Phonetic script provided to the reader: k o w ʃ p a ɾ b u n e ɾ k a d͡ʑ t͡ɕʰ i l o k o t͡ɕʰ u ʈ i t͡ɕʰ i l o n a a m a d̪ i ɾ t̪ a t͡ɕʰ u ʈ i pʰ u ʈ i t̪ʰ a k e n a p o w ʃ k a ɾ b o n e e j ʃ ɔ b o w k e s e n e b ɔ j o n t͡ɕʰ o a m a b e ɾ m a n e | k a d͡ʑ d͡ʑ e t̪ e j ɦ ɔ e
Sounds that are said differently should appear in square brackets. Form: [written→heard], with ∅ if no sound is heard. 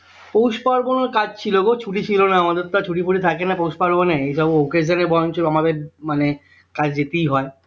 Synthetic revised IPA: [k→p] o w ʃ p a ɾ b [u→o] n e ɾ k a d͡ʑ t͡ɕʰ i l o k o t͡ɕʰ u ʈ i t͡ɕʰ i l o n a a m a d̪ [i→e] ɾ t̪ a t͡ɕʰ u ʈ i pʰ u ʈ i t̪ʰ a k e n a p o w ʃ [k→p] a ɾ b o n e e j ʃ ɔ b o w k e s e n e b ɔ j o n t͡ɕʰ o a m a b e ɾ m a n e | k a d͡ʑ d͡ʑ e t̪ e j ɦ ɔ e

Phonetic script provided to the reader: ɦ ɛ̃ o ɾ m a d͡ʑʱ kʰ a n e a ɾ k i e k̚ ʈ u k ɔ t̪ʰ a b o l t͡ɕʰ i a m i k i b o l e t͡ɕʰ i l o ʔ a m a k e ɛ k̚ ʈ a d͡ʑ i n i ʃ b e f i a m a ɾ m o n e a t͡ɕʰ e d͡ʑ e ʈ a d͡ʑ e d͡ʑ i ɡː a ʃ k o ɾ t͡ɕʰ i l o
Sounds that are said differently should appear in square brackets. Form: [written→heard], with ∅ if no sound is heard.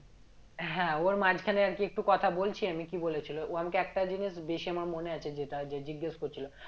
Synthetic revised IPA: ɦ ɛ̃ o ɾ m a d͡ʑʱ kʰ a n e a ɾ k i e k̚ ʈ u k ɔ t̪ʰ a b o l t͡ɕʰ i a m i k i b o l e t͡ɕʰ i l o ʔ a m a k e ɛ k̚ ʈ a d͡ʑ i n i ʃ b e [f→ʃ] i a m a ɾ m o n e a t͡ɕʰ e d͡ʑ e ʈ a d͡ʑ e d͡ʑ i ɡː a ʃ k o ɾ t͡ɕʰ i l o

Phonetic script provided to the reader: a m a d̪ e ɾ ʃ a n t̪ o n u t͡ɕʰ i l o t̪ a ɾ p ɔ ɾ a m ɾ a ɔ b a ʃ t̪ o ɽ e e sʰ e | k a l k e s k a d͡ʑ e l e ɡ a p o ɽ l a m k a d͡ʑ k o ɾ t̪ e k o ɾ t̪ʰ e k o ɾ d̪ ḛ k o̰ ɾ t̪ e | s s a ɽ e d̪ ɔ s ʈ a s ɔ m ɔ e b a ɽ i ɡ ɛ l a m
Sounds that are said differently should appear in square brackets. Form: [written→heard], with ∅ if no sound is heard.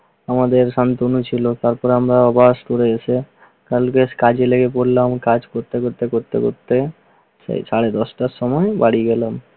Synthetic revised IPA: a m a d̪ e ɾ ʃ a n t̪ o n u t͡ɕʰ i l o t̪ a ɾ p ɔ ɾ a m ɾ a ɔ b a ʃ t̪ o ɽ e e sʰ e | k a l k e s k a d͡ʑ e l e ɡ [a→e] p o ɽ l a m k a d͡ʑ k o ɾ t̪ e k o ɾ [t̪ʰ→t̪] e k o ɾ [d̪→t̪] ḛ k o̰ ɾ t̪ e | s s a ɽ e d̪ ɔ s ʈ a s ɔ m ɔ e b a ɽ i ɡ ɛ l a m

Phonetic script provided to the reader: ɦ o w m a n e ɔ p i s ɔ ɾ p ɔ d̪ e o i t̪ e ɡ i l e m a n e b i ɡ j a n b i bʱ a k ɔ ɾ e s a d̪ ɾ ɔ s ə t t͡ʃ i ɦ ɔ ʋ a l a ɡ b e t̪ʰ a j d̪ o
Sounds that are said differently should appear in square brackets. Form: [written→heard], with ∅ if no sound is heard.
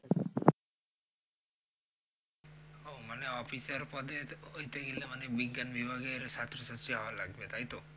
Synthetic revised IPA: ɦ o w m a n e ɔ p i s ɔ ɾ p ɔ d̪ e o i t̪ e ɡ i l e m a n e b i ɡ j a n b i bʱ a [k→ɡ] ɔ ɾ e s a [d̪→t̪] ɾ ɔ s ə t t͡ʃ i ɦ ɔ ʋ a l a ɡ b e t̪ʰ a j [d̪→t̪] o

